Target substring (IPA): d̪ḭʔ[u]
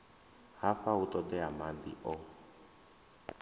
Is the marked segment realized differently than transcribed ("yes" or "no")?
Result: yes